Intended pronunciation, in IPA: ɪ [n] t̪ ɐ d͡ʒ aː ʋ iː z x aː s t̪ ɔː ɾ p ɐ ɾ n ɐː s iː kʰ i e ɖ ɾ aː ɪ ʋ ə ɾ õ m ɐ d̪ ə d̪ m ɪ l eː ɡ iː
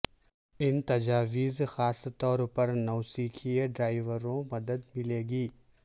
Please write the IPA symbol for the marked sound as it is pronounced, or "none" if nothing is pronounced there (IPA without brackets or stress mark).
n